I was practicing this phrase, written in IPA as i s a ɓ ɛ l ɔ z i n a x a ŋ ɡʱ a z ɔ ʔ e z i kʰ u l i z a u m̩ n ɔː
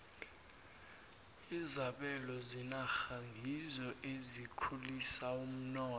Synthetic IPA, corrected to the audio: i z a ɓ ɛ l ɔ z i n a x a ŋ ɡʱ i z ɔ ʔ e z i kʰ u l i s a u m̩ n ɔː